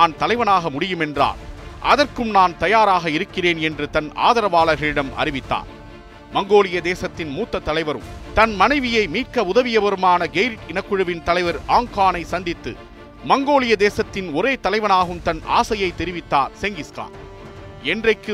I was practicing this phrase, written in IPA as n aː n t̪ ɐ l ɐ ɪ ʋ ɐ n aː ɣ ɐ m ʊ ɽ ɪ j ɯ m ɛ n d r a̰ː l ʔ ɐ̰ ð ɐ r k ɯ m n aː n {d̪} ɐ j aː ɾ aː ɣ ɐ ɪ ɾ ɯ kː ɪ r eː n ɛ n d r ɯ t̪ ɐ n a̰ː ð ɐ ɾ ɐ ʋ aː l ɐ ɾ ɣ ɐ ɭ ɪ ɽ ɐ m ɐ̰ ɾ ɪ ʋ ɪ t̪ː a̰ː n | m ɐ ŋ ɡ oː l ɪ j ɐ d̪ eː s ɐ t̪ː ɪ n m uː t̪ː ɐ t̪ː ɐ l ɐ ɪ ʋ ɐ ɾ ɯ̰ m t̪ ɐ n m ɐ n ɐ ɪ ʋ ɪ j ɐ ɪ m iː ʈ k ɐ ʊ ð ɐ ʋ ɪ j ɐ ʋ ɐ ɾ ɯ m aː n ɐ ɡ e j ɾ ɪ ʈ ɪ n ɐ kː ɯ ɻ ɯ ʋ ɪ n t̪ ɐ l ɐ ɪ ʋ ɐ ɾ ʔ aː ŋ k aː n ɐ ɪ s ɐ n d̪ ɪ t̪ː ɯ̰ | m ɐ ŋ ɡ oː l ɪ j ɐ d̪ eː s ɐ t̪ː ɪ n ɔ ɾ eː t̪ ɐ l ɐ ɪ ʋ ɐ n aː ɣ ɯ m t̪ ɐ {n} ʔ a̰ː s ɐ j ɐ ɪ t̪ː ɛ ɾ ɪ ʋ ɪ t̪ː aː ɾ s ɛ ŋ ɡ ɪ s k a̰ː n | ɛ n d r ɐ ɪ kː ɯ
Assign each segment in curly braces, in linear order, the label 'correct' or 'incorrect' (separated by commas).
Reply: incorrect, correct